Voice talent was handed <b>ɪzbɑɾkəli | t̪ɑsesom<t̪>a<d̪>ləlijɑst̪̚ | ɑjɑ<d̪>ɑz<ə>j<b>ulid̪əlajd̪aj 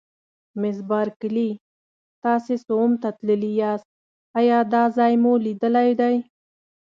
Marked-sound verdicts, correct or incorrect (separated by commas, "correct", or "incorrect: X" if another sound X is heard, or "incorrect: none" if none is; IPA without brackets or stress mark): incorrect: m, correct, incorrect: t̪, correct, incorrect: ɑ, incorrect: m